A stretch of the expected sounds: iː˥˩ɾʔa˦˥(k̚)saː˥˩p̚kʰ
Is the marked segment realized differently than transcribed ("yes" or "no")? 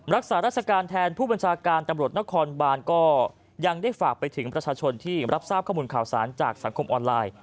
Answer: yes